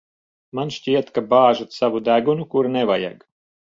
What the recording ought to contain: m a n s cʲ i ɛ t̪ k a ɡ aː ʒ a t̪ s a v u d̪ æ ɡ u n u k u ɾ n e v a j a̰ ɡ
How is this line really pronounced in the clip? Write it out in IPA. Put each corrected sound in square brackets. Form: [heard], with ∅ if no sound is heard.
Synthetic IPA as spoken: m a n [ʃ] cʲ i ɛ t̪ k a [b] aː ʒ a t̪ s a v u d̪ æ ɡ u n u k u ɾ n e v a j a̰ ɡ